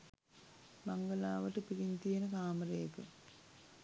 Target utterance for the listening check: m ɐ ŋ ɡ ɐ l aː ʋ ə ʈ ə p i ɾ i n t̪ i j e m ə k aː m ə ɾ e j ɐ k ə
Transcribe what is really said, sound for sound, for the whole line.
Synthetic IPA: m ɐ ŋ ɡ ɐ l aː ʋ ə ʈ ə p i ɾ i n t̪ i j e n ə k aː m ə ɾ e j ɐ k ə